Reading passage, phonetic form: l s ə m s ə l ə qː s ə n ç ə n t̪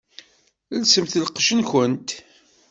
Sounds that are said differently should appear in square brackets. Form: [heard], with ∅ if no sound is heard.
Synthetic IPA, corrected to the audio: l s ə m [θ] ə l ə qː [ʃ] ə n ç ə n t̪